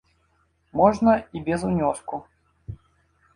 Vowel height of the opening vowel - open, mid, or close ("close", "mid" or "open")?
mid